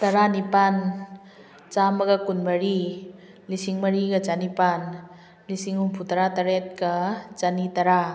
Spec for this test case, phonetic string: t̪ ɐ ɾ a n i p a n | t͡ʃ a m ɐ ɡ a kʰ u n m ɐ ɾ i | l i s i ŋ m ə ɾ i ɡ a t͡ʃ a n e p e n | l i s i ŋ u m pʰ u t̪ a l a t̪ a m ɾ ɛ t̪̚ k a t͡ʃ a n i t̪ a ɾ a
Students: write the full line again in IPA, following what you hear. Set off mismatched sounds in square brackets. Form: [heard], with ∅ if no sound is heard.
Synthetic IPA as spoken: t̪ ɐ ɾ a n i p a n | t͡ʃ a m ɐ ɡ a [k] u n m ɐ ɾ i | l i s i ŋ m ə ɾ i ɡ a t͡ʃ a n [i] p [a] n | l i s i ŋ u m pʰ u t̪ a [ɾ] a t̪ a [∅] ɾ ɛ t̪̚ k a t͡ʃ a n i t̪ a ɾ a

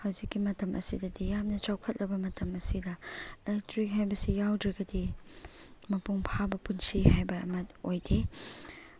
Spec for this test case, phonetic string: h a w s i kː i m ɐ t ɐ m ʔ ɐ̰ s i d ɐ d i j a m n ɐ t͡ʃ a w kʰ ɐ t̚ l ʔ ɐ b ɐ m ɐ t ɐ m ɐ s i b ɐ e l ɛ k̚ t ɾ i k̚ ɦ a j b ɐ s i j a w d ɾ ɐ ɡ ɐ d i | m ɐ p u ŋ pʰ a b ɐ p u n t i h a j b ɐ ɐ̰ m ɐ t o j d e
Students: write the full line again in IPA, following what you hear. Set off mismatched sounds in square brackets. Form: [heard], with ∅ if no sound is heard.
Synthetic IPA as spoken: h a w [z] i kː i m ɐ t ɐ m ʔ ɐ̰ s i d ɐ d i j a m n ɐ t͡ʃ a w kʰ ɐ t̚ l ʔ ɐ b ɐ m ɐ t ɐ m ɐ s i [d] ɐ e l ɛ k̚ t ɾ i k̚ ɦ a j b ɐ s i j a w d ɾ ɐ ɡ ɐ d i | m ɐ p u ŋ pʰ a b ɐ p u n [s] i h a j b ɐ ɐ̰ m ɐ t o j d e

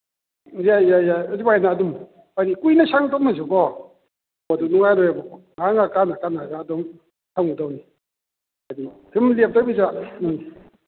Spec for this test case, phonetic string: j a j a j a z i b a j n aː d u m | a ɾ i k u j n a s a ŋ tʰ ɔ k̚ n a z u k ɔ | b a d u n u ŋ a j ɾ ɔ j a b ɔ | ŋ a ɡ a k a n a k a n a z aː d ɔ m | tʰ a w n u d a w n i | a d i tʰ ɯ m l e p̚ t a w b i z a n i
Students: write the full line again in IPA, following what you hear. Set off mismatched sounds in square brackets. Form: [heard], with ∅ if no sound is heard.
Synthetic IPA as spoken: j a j a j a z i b a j n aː d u m | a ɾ i k u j n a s a ŋ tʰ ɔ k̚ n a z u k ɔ | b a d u n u ŋ a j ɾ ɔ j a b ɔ | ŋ a [ŋ] a k a n a k a n a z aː d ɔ m | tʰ a w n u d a w n i | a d i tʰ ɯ m l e p̚ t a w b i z a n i

